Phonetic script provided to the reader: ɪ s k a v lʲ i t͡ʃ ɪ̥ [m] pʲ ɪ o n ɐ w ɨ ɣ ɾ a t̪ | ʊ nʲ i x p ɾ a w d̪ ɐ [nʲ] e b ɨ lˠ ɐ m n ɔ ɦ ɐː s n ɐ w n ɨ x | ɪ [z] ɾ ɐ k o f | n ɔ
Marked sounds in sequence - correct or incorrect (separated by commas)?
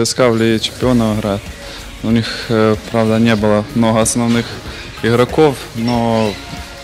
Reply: correct, correct, incorrect